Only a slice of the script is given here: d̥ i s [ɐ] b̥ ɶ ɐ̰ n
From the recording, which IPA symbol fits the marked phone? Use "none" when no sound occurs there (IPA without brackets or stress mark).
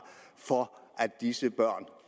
ə